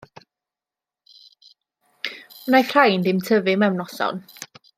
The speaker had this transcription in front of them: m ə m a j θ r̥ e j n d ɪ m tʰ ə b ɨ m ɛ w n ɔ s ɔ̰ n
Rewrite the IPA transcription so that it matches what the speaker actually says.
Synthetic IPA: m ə n a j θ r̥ a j n d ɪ m tʰ ə v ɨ m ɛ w n ɔ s ɔ̰ n